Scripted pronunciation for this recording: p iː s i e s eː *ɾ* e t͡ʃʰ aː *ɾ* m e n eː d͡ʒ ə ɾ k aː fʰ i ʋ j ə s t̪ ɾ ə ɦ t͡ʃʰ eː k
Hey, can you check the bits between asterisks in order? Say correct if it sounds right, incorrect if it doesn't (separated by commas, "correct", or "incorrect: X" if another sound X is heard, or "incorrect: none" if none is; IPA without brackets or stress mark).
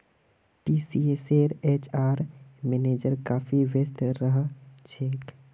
correct, correct